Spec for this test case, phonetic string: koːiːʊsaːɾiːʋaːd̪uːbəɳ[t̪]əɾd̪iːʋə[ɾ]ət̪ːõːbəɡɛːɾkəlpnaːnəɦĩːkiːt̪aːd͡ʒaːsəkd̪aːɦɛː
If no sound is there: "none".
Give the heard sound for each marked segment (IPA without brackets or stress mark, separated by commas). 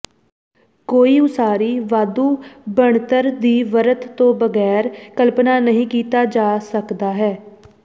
t̪, ɾ